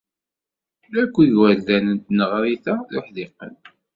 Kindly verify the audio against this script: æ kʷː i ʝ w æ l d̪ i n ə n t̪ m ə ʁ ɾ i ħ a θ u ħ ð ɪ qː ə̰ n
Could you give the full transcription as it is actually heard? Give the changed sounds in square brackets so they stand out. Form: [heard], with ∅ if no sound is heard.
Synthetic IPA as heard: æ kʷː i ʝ w æ l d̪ [æ] n ə n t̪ [n] ə ʁ ɾ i [θ] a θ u ħ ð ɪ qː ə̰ n